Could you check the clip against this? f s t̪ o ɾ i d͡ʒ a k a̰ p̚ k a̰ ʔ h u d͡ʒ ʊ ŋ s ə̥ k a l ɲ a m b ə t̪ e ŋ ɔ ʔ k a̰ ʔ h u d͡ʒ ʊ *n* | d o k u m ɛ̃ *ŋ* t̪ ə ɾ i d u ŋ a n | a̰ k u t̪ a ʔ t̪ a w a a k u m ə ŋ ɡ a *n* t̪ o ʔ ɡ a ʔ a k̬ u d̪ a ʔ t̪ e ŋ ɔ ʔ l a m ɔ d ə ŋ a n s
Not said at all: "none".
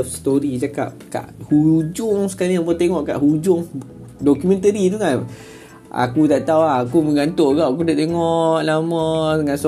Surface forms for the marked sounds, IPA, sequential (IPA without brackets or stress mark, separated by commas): ŋ, n, n